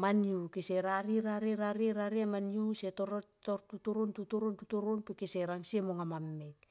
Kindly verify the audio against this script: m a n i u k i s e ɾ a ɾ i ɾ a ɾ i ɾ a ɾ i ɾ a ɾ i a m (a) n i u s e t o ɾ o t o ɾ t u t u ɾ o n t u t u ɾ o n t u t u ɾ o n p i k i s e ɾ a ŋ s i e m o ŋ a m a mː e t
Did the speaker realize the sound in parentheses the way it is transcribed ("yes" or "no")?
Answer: yes